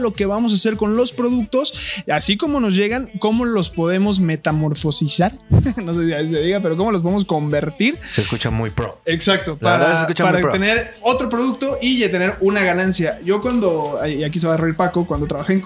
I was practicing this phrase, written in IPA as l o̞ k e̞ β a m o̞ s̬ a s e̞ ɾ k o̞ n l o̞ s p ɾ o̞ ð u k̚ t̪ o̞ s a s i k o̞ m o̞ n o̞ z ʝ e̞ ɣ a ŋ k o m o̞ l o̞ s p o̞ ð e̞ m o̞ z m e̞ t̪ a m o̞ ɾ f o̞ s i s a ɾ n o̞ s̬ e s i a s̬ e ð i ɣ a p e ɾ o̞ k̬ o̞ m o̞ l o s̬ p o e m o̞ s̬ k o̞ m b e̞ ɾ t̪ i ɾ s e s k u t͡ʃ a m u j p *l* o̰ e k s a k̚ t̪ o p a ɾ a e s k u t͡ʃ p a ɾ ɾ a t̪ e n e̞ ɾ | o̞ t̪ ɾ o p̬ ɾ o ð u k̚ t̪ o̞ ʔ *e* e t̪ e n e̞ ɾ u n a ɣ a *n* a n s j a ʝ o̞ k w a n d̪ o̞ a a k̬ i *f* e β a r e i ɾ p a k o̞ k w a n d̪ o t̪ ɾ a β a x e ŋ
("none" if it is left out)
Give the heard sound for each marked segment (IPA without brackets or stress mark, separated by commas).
ɾ, i, n, s